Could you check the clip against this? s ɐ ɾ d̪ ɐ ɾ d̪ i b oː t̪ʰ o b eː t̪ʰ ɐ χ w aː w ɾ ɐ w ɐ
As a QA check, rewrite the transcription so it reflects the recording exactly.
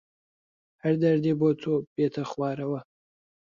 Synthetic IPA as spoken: h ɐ ɾ d̪ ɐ ɾ d̪ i b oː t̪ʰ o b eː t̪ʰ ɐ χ w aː ɾ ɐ w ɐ